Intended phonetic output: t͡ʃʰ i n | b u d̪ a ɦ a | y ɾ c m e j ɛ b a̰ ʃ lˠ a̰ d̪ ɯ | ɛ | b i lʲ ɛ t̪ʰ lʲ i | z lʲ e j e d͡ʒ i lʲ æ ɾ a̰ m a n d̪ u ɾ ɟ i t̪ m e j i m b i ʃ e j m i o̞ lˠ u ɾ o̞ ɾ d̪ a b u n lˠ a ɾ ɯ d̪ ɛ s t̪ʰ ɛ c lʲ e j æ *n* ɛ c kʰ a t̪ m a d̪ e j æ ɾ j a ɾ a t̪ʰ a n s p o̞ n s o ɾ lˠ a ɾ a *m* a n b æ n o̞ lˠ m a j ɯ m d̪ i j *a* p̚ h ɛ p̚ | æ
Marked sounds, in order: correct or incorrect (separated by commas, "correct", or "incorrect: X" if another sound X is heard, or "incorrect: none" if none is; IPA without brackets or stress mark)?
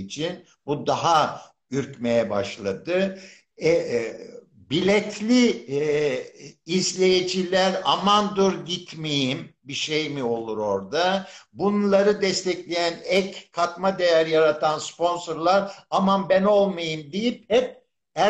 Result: correct, correct, incorrect: i